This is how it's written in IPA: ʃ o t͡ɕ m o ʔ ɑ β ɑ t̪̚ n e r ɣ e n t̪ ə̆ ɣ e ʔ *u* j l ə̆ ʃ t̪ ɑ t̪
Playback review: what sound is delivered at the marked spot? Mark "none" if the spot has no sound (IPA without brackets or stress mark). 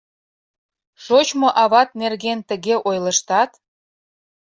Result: o